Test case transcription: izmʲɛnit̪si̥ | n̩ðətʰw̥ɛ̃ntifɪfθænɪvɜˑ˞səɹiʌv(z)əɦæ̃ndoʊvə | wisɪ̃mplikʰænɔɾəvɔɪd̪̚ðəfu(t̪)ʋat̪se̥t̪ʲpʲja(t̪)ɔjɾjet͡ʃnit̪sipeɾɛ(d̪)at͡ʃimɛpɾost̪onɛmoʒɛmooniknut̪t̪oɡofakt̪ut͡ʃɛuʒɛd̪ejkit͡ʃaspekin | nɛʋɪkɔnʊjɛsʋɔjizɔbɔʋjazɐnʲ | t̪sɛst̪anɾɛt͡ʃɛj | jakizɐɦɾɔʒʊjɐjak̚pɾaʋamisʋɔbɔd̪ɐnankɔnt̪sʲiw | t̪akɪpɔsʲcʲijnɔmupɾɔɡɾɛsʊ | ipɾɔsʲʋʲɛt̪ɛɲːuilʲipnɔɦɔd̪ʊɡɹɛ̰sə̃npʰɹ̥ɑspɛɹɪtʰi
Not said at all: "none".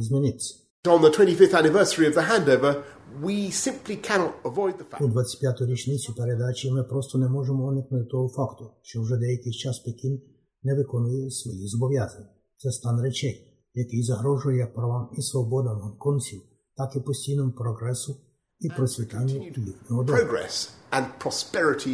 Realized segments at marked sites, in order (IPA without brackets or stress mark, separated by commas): ð, d̪, t̪, d̪